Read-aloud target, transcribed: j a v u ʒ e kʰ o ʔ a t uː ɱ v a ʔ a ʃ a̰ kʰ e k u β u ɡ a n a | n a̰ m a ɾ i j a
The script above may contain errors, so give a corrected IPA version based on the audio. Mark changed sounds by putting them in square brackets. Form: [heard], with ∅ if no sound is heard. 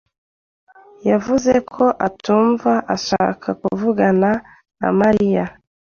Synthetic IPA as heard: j a v u [z] e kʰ o ʔ a t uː ɱ v a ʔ a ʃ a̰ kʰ [a] k u [v] u ɡ a n a | n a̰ m a ɾ i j a